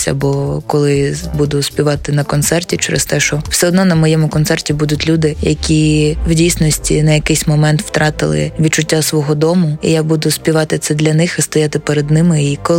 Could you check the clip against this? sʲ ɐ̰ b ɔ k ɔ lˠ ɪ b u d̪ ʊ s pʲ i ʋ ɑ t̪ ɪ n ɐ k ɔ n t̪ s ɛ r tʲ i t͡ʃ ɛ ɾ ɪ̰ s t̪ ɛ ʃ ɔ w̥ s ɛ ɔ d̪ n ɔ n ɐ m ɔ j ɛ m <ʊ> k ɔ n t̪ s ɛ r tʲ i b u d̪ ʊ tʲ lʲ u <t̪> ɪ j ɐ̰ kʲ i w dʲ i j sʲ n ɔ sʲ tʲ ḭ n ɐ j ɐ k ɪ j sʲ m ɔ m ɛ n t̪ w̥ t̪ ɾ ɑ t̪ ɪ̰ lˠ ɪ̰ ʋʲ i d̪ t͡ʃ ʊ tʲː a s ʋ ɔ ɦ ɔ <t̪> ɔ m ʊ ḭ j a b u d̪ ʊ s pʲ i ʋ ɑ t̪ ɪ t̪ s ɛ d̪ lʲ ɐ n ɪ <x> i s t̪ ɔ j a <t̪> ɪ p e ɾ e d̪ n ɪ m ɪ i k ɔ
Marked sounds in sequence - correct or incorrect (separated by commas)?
correct, incorrect, incorrect, correct, correct